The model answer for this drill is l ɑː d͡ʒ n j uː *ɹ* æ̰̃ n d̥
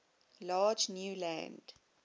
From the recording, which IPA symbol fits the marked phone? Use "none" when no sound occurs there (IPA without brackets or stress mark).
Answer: l